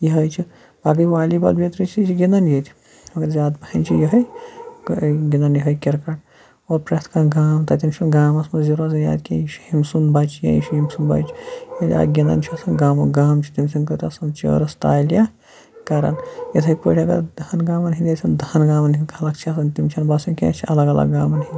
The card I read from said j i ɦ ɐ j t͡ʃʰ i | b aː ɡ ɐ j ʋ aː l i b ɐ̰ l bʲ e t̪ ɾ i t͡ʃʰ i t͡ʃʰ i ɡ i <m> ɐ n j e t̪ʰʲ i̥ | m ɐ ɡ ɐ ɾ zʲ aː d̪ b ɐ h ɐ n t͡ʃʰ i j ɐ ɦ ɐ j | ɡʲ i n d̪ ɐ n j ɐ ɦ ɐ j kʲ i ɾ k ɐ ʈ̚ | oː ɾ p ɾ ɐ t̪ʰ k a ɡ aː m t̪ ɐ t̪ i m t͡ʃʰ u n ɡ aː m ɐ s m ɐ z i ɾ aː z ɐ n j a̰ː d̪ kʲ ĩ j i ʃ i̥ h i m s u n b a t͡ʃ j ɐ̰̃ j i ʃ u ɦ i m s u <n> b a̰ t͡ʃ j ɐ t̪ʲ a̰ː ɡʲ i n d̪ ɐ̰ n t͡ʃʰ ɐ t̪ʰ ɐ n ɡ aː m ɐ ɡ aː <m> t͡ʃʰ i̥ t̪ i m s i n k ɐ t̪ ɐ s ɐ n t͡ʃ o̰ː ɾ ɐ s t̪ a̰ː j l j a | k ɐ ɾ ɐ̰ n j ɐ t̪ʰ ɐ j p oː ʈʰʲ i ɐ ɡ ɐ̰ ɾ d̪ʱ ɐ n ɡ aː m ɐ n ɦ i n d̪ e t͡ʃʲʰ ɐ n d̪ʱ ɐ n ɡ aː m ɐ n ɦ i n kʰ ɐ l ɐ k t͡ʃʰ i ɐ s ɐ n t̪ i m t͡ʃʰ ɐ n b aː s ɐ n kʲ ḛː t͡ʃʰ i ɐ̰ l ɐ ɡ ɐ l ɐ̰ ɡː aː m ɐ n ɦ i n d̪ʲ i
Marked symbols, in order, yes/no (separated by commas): no, yes, yes